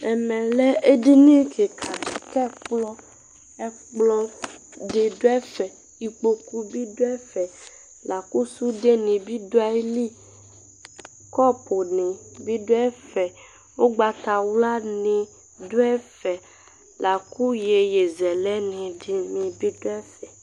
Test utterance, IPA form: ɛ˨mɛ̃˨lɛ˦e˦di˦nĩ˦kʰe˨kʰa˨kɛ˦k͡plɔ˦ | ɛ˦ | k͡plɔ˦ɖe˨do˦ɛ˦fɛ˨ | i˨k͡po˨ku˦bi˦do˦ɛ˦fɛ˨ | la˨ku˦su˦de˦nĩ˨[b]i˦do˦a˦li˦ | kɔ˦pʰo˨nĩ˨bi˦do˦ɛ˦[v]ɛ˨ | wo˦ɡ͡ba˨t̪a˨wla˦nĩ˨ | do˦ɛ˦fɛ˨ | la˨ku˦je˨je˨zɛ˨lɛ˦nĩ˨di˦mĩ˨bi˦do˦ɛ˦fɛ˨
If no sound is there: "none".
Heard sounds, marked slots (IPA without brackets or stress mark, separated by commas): b, f